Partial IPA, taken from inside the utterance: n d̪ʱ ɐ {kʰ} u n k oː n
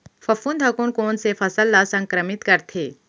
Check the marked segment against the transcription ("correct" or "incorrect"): incorrect